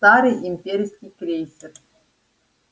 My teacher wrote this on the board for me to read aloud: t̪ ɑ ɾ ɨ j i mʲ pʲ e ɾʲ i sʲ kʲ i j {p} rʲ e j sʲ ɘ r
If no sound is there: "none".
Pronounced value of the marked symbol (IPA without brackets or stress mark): k